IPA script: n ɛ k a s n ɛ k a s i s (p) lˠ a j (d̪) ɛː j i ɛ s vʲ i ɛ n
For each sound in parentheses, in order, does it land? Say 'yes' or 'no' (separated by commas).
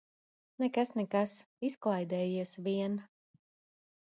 no, yes